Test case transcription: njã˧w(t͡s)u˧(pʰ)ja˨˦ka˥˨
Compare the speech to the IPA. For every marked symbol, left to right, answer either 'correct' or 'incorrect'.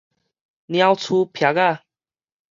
incorrect: t͡sʰ, correct

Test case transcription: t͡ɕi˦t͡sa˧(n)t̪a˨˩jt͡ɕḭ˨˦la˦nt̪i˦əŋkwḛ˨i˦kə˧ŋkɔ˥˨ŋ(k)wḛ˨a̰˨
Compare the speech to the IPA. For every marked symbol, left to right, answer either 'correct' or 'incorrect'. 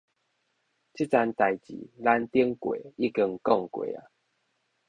correct, correct

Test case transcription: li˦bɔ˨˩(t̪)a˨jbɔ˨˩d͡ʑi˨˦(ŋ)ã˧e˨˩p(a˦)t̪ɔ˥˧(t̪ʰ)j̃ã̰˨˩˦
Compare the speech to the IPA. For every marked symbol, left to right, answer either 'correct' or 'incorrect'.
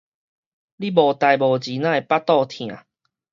correct, incorrect: n, correct, correct

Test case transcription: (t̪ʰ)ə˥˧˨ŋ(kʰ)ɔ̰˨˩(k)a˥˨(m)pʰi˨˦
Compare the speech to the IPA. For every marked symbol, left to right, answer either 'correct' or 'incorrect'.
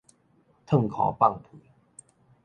correct, correct, incorrect: p, incorrect: ŋ

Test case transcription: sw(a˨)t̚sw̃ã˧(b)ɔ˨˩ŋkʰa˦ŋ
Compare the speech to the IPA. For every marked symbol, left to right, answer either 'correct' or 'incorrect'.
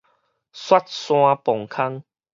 incorrect: a˦, incorrect: p

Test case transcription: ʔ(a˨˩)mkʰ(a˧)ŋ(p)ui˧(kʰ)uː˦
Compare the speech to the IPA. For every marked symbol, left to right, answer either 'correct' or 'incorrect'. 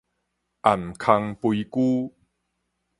correct, correct, correct, incorrect: k

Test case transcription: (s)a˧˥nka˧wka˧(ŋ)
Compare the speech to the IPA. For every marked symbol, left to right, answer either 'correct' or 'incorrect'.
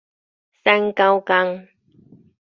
correct, correct

